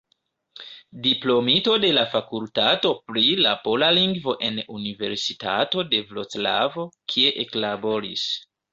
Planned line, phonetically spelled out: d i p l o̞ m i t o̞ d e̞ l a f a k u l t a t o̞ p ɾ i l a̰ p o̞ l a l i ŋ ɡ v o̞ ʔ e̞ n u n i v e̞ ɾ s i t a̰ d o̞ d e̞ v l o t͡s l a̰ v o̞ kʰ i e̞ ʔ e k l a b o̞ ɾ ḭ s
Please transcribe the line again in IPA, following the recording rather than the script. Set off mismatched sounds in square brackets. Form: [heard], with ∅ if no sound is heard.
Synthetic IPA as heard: d i p l o̞ m i t o̞ d e̞ l a f a k u l t a t o̞ p ɾ i l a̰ p o̞ l a l i ŋ ɡ v o̞ ʔ e̞ n u n i v e̞ ɾ s i t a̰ [t] o̞ d e̞ v l o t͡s l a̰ v o̞ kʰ i e̞ ʔ e k l a b o̞ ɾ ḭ s